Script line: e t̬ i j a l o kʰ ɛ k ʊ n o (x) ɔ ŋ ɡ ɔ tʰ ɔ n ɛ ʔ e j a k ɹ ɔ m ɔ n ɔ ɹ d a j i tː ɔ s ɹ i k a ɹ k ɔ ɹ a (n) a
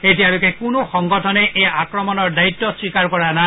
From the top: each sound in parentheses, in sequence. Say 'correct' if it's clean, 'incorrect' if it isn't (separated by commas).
correct, correct